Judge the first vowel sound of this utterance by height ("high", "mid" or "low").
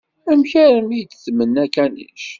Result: low